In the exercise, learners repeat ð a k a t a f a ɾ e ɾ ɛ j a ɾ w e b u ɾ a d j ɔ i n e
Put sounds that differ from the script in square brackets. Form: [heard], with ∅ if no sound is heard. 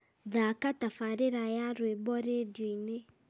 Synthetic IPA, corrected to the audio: ð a k a t a f a ɾ e ɾ [a] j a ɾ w e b [ɔ] ɾ [e] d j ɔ i n e